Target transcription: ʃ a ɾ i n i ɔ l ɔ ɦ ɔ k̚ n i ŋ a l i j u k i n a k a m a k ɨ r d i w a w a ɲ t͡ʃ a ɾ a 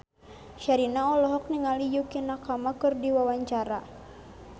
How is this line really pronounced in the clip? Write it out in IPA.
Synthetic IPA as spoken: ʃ a ɾ i n a ɔ l ɔ ɦ ɔ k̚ n i ŋ a l i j u k i n a k a m a k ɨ r d i w a w a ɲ t͡ʃ a ɾ a